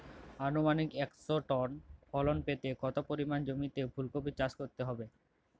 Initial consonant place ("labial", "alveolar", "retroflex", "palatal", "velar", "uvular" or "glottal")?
alveolar